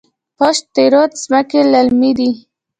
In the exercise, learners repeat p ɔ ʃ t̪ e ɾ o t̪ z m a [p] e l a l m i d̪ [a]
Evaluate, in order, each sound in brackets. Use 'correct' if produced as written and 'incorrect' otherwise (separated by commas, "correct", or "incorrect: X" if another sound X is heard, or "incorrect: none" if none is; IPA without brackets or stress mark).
incorrect: k, incorrect: i